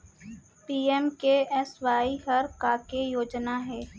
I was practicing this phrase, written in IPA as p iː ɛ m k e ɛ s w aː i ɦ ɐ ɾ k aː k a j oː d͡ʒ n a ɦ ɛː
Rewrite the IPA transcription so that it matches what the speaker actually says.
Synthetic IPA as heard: p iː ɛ m k e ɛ s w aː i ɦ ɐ ɾ k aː k e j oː d͡ʒ n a ɦ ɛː